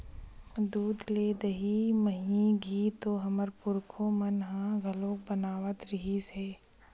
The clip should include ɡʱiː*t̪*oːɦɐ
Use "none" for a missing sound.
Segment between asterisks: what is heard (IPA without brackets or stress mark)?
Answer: t̪